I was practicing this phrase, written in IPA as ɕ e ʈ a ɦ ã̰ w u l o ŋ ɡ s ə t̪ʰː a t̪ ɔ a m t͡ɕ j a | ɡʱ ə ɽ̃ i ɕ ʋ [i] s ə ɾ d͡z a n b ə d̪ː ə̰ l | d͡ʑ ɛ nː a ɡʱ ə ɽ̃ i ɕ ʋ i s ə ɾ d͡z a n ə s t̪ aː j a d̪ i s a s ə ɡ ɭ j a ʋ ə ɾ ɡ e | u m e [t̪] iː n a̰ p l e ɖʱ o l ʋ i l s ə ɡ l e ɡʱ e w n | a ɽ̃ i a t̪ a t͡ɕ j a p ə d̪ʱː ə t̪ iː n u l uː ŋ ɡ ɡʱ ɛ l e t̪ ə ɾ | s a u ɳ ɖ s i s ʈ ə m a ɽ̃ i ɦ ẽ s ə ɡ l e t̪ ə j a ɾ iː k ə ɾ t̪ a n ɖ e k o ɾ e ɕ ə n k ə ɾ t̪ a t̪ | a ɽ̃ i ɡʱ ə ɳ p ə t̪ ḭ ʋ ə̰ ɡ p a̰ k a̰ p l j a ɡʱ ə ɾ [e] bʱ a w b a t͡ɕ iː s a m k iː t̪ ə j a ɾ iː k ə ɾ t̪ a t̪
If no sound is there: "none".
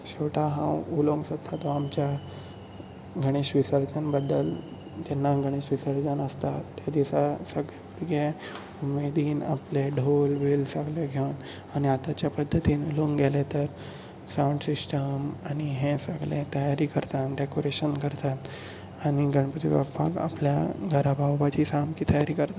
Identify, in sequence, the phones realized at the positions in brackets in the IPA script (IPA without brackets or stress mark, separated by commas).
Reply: i, d̪, a